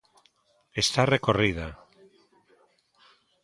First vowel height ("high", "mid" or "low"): mid